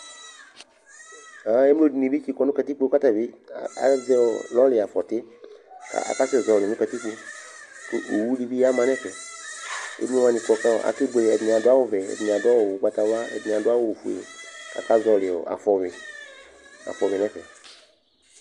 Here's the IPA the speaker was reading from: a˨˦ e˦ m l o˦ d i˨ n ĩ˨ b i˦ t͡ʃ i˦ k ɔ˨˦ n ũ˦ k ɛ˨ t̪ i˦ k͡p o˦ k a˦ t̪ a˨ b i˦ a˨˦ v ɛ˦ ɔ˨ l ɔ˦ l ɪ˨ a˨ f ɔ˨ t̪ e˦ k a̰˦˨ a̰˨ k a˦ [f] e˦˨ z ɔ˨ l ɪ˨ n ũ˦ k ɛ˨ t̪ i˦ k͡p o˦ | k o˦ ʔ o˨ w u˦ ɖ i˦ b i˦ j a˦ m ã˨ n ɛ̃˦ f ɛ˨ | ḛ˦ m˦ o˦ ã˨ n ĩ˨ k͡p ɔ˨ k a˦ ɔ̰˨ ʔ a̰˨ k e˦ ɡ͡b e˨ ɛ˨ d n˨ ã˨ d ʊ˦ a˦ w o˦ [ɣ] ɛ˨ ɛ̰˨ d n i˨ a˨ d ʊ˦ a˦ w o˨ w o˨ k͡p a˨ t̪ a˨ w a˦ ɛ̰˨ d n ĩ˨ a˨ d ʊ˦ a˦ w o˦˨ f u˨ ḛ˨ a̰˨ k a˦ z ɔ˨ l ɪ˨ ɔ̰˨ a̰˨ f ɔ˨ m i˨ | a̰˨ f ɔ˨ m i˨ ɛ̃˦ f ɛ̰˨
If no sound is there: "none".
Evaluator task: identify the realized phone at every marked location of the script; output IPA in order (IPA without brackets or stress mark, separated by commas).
s, v